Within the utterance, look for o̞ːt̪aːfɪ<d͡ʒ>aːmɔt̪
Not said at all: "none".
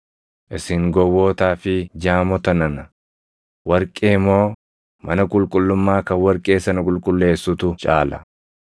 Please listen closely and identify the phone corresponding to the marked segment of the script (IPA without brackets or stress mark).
d͡ʒ